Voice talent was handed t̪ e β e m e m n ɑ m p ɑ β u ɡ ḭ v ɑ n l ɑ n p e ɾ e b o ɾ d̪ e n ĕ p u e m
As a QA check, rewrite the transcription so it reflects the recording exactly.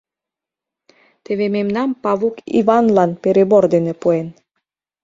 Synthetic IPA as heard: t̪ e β e m e m n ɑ m p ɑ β u k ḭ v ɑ n l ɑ n p e ɾ e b o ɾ d̪ e n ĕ p u e n